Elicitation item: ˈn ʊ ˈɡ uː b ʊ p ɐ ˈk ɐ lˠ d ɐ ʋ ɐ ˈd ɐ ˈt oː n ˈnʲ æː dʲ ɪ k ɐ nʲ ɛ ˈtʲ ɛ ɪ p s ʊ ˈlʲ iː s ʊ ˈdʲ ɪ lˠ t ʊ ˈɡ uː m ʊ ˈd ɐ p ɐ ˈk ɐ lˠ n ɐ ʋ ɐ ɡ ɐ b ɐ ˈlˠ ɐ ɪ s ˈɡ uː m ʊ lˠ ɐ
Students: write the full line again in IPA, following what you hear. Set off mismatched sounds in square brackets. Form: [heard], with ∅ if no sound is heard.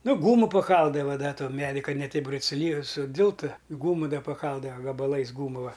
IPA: ˈn ʊ ˈɡ uː [m] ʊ p ɐ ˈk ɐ lˠ d ɐ ʋ ɐ ˈd ɐ ˈt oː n [ˈmʲ] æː dʲ ɪ k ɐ nʲ ɛ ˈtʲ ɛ ɪ p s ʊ ˈlʲ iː s ʊ ˈdʲ ɪ lˠ t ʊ ˈɡ uː m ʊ ˈd ɐ p ɐ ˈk ɐ lˠ [d] ɐ ʋ ɐ ɡ ɐ b ɐ ˈlˠ ɐ ɪ s ˈɡ uː m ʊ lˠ ɐ